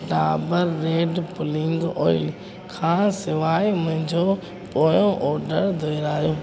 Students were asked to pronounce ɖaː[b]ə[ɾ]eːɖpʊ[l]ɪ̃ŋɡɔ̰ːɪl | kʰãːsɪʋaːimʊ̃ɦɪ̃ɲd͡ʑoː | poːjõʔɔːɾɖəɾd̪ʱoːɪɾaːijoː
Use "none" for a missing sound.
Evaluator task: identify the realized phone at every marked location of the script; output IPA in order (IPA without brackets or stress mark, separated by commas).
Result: b, ɾː, l